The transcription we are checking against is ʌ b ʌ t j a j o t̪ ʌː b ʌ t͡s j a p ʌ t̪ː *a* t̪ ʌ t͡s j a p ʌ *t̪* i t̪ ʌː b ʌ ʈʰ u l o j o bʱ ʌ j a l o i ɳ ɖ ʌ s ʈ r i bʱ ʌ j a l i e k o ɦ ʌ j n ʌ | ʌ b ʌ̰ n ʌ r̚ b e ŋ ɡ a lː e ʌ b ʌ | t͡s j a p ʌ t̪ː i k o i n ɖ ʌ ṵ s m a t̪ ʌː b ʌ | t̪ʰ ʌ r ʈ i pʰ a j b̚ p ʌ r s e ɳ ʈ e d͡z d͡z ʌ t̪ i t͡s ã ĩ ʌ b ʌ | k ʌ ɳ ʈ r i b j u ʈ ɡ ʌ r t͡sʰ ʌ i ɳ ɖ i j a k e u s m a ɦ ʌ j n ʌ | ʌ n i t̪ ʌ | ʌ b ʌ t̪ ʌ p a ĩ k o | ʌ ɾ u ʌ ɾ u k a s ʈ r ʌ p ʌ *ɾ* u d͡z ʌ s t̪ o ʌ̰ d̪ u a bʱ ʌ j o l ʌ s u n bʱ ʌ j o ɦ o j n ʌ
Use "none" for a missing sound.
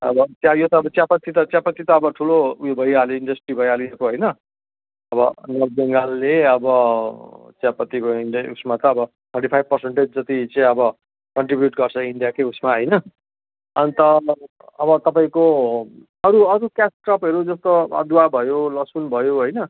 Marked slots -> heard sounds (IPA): i, t̪, ɾ

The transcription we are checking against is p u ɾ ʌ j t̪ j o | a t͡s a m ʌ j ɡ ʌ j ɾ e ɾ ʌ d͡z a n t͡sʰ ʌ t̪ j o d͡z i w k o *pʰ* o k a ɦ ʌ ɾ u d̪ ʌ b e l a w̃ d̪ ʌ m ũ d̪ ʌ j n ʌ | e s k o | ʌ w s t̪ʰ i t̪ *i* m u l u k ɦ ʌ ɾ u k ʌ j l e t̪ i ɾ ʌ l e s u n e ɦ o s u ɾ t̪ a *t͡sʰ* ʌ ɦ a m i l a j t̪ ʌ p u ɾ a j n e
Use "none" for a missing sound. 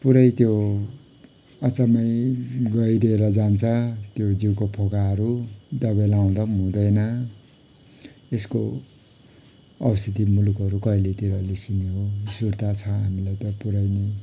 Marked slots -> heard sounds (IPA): pʰ, i, t͡sʰ

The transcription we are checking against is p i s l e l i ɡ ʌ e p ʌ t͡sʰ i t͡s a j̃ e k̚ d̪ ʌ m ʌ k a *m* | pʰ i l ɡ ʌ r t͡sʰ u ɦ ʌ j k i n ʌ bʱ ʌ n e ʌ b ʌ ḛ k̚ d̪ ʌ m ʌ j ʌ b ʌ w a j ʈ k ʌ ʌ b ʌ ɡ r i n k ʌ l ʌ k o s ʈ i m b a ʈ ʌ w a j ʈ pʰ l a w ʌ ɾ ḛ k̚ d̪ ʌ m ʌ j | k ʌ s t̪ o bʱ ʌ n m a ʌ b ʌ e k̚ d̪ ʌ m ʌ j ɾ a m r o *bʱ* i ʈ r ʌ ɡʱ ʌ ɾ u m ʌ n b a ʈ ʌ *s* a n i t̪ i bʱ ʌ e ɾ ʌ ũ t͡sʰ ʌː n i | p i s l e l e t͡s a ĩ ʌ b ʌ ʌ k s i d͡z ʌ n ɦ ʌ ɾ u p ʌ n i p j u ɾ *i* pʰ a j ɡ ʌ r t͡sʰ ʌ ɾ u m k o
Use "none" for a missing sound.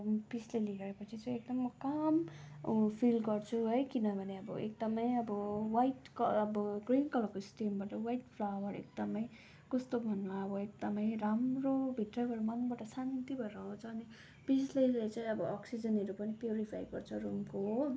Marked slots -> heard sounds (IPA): m, bʱ, s, i

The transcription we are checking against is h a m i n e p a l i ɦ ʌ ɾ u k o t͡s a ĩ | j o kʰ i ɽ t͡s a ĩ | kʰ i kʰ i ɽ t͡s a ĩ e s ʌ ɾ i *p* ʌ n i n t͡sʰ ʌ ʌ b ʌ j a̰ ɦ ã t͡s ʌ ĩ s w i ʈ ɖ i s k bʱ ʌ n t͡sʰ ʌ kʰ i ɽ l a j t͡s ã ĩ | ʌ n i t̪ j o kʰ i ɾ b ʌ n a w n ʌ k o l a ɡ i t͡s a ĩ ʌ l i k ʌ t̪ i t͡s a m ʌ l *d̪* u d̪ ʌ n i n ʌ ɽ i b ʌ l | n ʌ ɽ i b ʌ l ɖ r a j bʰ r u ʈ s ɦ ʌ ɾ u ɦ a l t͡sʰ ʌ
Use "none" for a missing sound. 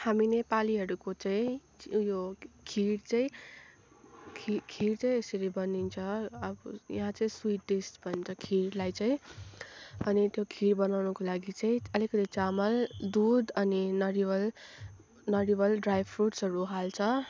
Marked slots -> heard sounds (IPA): b, d̪

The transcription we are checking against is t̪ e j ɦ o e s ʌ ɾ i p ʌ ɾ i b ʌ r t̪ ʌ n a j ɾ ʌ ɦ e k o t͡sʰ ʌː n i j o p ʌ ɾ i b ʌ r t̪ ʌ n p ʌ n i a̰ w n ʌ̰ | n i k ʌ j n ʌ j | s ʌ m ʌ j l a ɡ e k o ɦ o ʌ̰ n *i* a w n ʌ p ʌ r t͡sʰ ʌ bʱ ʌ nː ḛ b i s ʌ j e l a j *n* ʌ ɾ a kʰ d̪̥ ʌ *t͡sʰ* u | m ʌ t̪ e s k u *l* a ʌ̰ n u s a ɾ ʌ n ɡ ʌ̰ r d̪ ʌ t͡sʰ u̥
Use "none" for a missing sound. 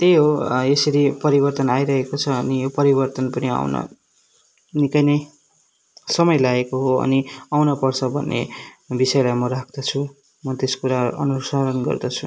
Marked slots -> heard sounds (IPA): i, m, t͡sʰ, ɾ

